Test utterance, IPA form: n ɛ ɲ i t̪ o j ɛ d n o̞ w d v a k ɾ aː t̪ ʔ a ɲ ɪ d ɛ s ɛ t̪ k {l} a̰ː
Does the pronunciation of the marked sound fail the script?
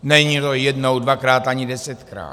yes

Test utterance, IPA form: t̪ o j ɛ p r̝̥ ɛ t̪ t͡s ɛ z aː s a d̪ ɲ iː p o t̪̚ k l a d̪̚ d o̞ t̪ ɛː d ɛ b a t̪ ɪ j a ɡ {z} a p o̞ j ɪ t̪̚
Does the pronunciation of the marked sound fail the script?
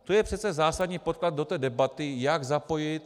no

